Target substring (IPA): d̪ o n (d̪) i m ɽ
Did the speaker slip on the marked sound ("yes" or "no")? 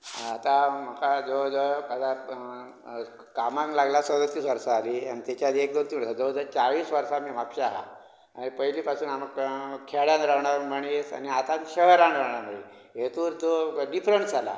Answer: yes